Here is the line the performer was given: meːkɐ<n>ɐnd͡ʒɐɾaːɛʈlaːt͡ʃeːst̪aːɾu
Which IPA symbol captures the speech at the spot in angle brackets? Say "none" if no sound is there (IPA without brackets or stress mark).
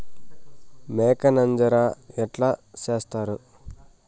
n